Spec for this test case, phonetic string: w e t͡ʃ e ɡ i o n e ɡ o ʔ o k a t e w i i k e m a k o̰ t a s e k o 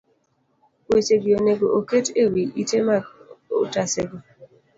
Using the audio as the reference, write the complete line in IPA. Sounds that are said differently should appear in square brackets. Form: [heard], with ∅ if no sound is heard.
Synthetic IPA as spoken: w e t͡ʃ e ɡ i o n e ɡ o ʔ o k [e] t e w i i [t] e m a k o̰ t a s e [ɡ] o

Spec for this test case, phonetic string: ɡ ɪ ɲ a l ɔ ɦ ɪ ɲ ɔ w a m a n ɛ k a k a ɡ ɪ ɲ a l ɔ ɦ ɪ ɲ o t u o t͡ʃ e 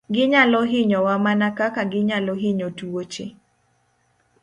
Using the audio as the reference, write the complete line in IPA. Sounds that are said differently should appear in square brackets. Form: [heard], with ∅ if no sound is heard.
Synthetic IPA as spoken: ɡ ɪ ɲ a l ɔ ɦ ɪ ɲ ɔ w a m a n [a] k a k a ɡ ɪ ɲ a l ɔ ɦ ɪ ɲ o t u o t͡ʃ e

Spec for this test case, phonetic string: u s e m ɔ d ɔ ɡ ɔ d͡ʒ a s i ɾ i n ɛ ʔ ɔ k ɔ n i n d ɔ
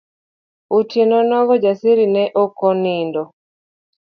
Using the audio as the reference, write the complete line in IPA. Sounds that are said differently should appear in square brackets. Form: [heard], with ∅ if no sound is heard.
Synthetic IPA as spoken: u [t] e [n] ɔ [n] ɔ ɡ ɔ d͡ʒ a s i ɾ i n ɛ ʔ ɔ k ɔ n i n d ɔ

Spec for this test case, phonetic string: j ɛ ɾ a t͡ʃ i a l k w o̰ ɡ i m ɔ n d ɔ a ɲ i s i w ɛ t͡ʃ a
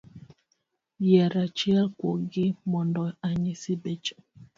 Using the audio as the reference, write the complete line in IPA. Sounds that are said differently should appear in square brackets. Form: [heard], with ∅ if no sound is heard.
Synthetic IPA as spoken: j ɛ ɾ a t͡ʃ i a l k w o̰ ɡ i m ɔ n d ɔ a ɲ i s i [b] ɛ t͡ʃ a

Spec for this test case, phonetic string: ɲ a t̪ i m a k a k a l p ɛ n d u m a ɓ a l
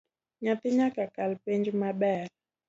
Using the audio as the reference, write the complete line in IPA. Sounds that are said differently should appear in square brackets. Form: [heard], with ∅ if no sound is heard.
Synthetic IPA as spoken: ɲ a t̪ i [ɲ] a k a k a l p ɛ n [d͡ʒ] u m a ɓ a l

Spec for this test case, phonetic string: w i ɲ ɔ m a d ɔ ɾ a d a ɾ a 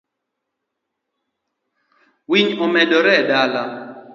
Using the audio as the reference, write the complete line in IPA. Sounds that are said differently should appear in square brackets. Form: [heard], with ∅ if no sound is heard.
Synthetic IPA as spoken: w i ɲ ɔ m [ɛ] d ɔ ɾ [ɛ] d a [l] a

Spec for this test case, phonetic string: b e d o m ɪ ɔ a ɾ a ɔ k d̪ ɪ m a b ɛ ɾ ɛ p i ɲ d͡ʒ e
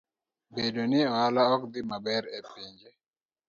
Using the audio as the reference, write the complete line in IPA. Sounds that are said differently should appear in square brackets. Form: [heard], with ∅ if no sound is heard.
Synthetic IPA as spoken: b e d o [n] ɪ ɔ a [l] a ɔ k d̪ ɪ m a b ɛ ɾ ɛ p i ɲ d͡ʒ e

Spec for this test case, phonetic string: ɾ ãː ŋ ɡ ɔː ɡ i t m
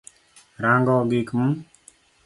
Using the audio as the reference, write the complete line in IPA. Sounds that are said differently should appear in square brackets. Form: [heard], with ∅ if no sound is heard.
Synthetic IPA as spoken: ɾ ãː ŋ ɡ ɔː ɡ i [k] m

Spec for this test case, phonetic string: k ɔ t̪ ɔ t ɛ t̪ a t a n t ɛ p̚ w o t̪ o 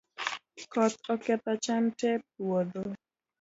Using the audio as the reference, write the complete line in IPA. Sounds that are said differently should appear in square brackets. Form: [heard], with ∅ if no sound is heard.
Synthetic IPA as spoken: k ɔ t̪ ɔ [k] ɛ t̪ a [t͡ʃ] a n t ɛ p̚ w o [d̪] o

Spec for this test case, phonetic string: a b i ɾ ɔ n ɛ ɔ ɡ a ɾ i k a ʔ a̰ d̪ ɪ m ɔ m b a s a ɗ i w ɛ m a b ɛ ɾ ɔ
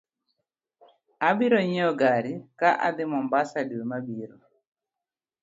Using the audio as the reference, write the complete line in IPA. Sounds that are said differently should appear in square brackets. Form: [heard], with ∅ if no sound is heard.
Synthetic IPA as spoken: a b i ɾ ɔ [ɲ] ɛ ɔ ɡ a ɾ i k a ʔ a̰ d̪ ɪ m ɔ m b a s a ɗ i w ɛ m a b [i] ɾ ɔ

